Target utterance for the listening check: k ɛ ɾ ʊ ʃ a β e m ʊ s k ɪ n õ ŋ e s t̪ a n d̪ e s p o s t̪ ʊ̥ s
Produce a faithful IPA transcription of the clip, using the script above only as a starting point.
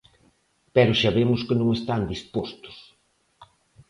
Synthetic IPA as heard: p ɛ ɾ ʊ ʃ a β e m ʊ s k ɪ n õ ŋ e s t̪ a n d̪ i s p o s t̪ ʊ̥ s